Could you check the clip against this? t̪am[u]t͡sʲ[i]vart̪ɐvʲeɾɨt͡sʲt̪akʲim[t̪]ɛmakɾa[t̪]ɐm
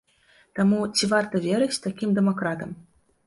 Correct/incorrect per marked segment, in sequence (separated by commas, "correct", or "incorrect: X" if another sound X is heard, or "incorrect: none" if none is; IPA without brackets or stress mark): correct, correct, incorrect: d̪, correct